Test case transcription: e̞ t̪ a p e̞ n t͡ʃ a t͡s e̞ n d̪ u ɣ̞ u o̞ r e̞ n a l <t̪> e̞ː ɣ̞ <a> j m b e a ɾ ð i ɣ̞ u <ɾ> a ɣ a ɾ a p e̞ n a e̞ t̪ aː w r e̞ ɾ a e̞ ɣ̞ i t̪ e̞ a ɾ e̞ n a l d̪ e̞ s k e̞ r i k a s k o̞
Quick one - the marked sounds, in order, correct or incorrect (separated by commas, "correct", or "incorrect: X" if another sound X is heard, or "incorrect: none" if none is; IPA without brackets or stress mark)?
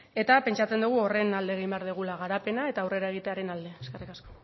incorrect: d̪, incorrect: i, incorrect: l